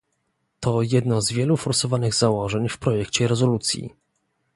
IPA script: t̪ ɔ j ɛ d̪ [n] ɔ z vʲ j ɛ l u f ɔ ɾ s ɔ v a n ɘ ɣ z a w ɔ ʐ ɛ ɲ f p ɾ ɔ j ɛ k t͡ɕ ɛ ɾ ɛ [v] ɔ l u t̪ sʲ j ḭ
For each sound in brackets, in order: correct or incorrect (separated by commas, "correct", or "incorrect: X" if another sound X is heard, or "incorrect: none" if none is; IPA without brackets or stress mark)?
correct, incorrect: z